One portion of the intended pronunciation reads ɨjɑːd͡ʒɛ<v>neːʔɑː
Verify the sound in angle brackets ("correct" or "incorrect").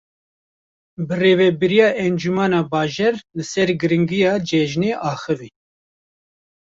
incorrect